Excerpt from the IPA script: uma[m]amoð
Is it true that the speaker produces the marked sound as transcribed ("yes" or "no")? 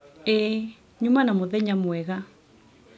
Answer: no